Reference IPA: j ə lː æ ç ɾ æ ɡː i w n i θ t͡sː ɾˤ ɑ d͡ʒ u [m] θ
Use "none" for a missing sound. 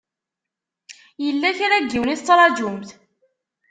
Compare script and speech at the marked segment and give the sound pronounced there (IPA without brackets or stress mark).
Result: m